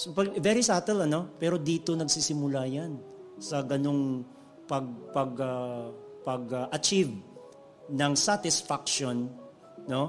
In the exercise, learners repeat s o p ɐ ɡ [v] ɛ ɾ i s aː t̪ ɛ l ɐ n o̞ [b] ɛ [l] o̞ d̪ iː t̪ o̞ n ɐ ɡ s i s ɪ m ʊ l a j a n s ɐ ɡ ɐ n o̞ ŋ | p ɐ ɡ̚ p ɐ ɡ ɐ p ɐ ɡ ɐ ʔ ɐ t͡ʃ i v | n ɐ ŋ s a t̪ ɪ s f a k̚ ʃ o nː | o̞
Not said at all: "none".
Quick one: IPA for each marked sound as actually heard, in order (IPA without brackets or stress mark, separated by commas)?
v, p, ɾ